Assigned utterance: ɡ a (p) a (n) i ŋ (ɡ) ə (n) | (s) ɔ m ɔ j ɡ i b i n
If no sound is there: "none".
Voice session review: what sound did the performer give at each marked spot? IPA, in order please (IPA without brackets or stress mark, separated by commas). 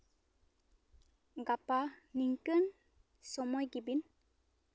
p, n, k, n, s